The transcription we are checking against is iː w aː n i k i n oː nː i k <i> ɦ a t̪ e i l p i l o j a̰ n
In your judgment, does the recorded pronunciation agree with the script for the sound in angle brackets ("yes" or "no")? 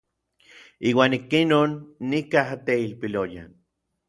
no